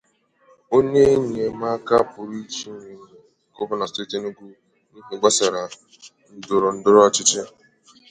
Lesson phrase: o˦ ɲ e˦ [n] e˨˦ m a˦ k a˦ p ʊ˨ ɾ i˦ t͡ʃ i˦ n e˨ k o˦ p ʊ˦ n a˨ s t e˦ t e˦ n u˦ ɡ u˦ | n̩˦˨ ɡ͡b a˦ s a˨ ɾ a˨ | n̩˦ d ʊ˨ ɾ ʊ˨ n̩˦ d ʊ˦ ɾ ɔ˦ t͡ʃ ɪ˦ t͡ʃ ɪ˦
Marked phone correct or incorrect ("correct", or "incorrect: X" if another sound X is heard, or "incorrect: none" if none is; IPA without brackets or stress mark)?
incorrect: ɲ